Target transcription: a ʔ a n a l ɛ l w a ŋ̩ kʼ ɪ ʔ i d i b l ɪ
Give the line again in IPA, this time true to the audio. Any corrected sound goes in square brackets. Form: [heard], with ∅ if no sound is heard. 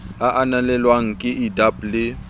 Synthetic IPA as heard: a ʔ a n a l ɛ l w a ŋ̩ kʼ ɪ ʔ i d [a] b l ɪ